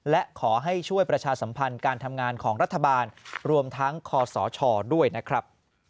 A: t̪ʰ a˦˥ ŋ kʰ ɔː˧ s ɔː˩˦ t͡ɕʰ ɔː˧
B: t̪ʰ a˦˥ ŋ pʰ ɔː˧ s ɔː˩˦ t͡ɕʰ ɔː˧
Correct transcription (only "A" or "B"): A